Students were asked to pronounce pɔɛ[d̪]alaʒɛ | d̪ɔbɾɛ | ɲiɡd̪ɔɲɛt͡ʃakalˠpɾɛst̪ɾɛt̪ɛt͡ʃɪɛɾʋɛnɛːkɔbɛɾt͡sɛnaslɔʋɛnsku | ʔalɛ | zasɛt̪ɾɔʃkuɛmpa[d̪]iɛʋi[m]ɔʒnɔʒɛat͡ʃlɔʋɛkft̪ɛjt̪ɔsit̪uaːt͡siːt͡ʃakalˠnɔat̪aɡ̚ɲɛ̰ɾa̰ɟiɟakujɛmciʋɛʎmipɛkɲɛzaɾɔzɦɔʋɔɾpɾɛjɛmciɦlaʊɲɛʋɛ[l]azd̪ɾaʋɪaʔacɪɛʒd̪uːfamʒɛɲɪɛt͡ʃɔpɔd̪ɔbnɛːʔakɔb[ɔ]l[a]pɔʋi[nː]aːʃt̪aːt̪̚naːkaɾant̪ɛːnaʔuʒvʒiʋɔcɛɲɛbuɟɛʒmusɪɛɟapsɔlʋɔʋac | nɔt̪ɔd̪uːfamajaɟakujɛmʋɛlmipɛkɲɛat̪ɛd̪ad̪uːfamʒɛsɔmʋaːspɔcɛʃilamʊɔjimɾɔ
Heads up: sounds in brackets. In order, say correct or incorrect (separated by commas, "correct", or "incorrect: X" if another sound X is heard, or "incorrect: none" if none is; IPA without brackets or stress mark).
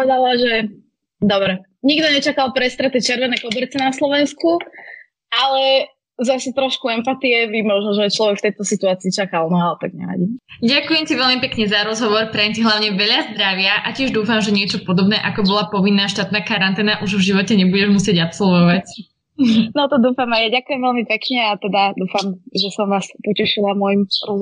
correct, incorrect: t̪, correct, incorrect: ʎ, correct, correct, correct